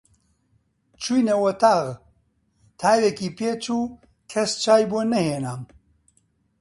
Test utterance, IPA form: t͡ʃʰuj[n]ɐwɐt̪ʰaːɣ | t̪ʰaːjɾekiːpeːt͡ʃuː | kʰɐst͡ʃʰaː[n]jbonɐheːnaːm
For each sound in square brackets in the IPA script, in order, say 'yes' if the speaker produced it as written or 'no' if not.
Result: yes, no

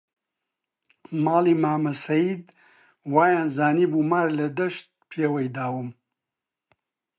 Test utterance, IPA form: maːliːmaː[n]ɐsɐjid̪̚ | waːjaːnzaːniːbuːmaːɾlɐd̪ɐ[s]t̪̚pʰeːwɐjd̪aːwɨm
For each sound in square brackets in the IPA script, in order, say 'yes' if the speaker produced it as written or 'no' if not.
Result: no, no

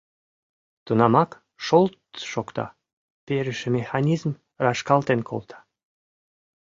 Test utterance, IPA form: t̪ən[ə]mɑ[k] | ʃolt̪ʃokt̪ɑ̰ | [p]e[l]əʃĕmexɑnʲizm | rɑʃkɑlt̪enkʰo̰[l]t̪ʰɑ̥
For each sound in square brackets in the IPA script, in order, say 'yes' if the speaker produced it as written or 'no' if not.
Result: no, yes, yes, no, yes

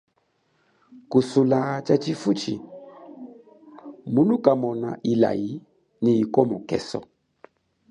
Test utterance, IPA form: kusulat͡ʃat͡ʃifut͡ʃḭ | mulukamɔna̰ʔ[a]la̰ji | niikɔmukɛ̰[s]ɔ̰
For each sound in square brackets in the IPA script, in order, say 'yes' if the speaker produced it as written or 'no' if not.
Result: no, yes

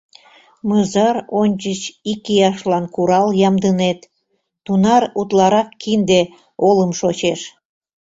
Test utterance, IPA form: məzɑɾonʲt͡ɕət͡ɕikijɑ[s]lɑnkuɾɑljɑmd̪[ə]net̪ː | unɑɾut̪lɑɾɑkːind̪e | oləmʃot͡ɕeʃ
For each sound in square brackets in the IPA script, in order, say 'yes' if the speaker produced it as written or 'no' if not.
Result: no, yes

